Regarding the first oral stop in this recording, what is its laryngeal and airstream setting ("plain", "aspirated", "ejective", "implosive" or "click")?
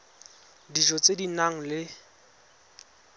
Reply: plain